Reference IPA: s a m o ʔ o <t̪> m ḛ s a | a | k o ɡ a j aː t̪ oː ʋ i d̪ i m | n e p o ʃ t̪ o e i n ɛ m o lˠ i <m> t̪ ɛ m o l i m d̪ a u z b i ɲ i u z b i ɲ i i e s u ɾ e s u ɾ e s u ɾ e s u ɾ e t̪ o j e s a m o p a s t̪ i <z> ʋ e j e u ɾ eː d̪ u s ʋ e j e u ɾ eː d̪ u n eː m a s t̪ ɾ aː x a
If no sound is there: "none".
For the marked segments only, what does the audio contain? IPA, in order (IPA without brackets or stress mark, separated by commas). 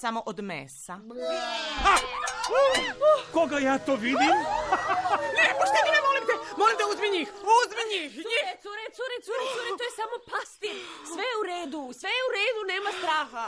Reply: d̪, m, s